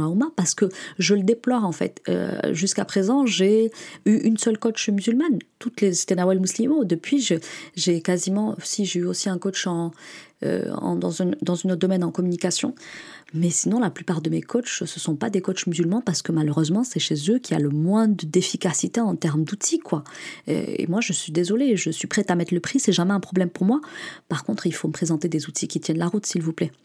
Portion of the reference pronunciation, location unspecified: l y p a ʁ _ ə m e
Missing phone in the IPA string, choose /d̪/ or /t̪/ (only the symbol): d̪